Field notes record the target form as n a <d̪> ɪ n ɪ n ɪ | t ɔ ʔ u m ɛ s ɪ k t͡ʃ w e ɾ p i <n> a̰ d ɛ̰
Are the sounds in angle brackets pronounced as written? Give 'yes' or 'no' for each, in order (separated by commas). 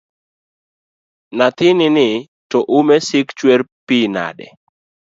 no, yes